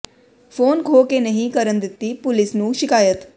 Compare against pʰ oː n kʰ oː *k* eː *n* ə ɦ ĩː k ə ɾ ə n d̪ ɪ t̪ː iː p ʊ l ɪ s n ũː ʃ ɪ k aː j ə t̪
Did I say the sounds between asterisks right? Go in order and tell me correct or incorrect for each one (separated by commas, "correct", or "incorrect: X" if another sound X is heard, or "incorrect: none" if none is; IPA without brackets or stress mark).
correct, correct